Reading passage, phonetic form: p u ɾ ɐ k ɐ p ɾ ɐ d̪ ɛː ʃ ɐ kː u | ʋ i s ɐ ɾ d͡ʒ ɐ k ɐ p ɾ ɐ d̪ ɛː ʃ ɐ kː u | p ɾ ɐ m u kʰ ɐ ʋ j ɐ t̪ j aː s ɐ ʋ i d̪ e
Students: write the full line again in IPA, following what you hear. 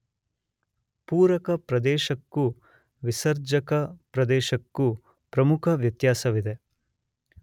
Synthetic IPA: p uː ɾ ɐ k ɐ p ɾ ɐ d̪ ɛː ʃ ɐ kː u | ʋ i s ɐ ɾ d͡ʒ ɐ k ɐ p ɾ ɐ d̪ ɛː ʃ ɐ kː u | p ɾ ɐ m u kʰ ɐ ʋ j ɐ t̪ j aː s ɐ ʋ i d̪ e